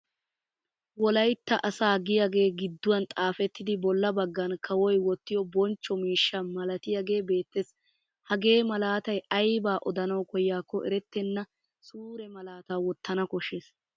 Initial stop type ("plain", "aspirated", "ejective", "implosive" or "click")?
plain